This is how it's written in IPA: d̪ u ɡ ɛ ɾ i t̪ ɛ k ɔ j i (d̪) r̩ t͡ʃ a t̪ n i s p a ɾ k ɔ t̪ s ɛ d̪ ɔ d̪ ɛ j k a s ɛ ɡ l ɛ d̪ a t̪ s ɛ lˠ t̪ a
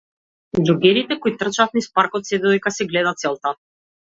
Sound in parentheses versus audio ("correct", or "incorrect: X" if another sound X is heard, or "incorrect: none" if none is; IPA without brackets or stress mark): incorrect: t̪